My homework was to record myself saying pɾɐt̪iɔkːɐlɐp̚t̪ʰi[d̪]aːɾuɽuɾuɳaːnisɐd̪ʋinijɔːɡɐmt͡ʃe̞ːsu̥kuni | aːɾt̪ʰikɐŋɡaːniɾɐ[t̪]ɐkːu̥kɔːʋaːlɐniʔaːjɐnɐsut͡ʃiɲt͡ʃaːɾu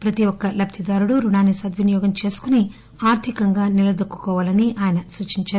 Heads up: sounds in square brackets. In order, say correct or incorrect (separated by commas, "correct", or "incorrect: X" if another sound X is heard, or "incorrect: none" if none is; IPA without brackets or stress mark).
correct, incorrect: d̪